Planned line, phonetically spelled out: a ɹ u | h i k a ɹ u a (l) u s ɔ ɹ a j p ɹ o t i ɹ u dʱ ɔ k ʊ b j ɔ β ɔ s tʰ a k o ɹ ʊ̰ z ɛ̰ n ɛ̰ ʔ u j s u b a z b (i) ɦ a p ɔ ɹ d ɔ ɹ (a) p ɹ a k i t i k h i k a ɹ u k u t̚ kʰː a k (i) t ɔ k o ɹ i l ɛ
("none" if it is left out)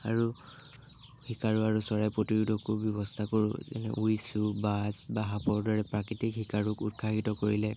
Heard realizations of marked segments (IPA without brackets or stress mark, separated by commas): ɹ, a, ɛ, i